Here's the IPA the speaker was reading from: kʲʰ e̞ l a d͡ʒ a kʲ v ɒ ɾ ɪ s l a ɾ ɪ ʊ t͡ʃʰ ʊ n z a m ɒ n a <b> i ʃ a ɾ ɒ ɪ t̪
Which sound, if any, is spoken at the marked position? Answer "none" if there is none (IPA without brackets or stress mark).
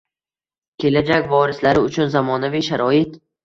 v